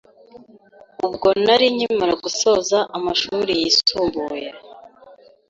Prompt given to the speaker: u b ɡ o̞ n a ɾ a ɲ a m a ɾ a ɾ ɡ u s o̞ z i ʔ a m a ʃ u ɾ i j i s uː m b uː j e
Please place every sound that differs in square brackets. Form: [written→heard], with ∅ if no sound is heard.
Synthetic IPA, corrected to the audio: u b ɡ o̞ n a ɾ [a→i] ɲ [a→i] m a ɾ a [ɾ→∅] ɡ u s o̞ z [i→a] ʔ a m a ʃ u ɾ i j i s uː m b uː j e